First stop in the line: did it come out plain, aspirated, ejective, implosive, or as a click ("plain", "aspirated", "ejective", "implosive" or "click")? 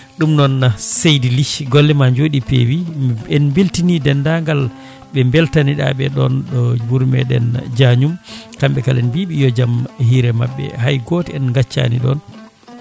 implosive